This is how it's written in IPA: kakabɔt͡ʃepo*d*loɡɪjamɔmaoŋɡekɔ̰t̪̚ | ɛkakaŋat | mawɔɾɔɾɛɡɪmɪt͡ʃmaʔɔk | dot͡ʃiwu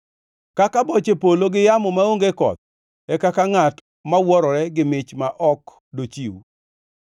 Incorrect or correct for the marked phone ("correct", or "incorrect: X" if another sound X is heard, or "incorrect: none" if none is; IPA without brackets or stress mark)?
incorrect: none